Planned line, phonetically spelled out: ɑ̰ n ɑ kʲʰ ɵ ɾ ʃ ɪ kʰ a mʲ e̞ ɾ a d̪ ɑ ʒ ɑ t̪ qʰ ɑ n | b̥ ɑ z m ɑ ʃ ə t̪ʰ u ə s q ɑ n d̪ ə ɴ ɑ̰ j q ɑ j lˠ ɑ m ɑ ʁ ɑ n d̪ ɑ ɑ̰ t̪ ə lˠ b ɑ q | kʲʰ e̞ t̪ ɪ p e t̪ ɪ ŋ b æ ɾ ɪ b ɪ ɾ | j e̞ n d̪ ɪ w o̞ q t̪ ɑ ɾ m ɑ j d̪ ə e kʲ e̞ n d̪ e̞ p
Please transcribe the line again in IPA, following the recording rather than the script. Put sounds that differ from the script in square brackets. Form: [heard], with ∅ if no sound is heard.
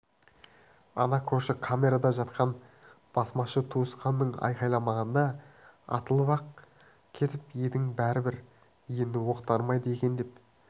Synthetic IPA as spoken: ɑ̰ n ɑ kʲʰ ɵ ɾ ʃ ɪ kʰ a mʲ e̞ ɾ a d̪ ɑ ʒ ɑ t̪ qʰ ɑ n | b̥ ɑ [s] m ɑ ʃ ə t̪ʰ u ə s q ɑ n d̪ ə ɴ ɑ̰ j q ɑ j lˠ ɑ m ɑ ʁ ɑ n d̪ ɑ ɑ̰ t̪ ə lˠ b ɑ q | kʲʰ e̞ t̪ ɪ p e [d̪] ɪ ŋ b æ ɾ ɪ b ɪ ɾ | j e̞ n d̪ ɪ w o̞ q t̪ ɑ ɾ m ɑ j d̪ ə e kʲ e̞ n d̪ e̞ p